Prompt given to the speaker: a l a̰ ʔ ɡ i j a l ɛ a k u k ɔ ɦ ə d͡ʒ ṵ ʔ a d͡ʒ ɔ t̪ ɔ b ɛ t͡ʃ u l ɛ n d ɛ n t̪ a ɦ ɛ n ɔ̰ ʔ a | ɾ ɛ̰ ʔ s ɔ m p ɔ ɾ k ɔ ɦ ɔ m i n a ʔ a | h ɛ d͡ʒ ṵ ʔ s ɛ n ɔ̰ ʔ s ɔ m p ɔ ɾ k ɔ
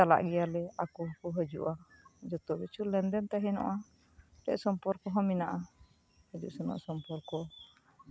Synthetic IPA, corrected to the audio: a l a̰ ʔ ɡ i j a l ɛ a k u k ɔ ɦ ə d͡ʒ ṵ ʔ a d͡ʒ ɔ t̪ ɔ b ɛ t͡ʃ u l ɛ n d ɛ n t̪ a ɦ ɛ n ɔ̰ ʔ a | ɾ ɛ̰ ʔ s ɔ m p ɔ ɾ k ɔ ɦ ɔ m i n a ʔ a | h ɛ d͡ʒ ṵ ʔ s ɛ n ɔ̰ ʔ s ɔ m p ɔ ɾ k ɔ